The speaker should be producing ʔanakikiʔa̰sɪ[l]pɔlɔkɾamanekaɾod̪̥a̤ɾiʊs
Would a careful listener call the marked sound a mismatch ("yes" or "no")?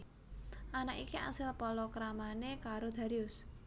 no